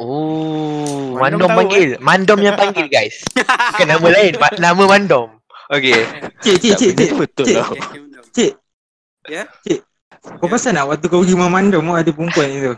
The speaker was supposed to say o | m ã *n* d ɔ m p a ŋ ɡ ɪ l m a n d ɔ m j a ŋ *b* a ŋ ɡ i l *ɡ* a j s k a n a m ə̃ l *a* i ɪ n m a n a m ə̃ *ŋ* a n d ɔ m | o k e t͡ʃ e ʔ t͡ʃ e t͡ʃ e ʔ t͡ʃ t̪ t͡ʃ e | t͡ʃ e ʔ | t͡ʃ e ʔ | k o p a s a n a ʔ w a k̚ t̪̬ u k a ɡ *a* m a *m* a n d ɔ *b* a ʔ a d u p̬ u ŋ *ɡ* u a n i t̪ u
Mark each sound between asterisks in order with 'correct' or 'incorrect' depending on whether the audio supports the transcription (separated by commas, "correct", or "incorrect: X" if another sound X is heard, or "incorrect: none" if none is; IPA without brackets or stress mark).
correct, incorrect: p, correct, correct, incorrect: m, incorrect: i, correct, incorrect: m, incorrect: k